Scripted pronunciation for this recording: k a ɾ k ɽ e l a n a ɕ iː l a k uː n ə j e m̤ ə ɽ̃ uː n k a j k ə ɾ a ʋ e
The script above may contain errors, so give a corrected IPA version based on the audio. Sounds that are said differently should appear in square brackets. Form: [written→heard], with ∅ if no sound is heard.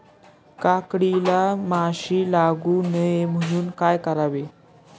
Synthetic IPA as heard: k a [ɾ→∅] k ɽ [e→i] l a [n→m] a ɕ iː l a [k→ɡ] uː n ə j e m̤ ə ɽ̃ uː n k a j k ə ɾ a ʋ e